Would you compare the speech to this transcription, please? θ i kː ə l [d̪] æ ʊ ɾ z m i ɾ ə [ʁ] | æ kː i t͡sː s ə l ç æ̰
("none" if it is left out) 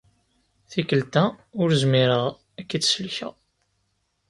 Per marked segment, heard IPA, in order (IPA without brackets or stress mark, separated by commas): t̪, ʁ